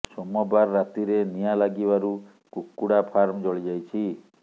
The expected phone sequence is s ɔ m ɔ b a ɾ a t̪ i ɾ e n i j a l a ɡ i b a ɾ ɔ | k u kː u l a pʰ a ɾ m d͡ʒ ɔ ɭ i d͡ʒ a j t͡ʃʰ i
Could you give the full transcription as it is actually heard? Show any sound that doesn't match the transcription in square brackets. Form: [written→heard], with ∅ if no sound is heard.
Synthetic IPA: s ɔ m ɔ b a [ɾ→ɾː] a t̪ i ɾ e n i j a l a ɡ i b a ɾ [ɔ→u] | k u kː u [l→ɽ] a pʰ a ɾ m d͡ʒ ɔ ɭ i d͡ʒ a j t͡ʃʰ i